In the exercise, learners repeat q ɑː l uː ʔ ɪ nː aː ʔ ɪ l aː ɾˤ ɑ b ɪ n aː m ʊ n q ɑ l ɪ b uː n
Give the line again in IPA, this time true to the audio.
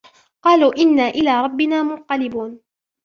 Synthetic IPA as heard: q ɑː l uː ʔ ɪ nː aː ʔ ɪ l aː ɾˤ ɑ bː ɪ n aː m ʊ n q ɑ l ɪ b uː n